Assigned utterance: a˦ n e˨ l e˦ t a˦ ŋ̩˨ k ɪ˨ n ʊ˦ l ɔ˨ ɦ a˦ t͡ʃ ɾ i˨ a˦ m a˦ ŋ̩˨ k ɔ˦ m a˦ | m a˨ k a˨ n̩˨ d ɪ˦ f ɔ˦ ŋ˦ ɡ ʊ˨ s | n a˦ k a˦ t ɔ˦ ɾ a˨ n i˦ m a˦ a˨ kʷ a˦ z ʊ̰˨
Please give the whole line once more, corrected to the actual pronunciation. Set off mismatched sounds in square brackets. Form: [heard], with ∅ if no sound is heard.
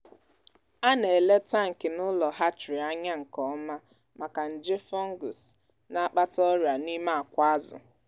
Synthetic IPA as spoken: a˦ n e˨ l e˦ t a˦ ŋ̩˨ k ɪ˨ n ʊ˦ l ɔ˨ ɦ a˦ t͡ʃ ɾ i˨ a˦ [ɲ] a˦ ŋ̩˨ k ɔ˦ m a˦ | m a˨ k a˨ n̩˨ [d͡ʒ] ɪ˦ f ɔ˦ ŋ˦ ɡ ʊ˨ s | n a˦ [k͡p] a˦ t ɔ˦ ɾ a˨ n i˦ m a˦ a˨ kʷ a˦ z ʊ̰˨